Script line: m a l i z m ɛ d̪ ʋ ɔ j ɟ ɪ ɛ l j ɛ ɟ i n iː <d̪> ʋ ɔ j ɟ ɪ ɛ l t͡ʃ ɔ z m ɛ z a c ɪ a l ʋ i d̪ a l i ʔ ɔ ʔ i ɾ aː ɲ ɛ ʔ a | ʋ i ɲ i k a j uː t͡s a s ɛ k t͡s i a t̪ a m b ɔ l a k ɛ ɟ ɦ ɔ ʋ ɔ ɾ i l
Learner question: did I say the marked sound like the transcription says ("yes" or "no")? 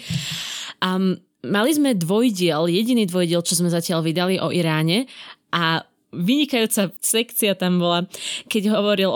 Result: yes